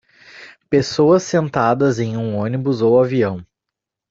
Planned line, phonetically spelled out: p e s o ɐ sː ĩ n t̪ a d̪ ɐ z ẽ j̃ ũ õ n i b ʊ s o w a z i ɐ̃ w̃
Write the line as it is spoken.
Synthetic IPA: p e s o ɐ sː ẽ n t̪ a d̪ ɐ z ẽ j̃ ũ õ n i b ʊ z o w a v i ɐ̃ w̃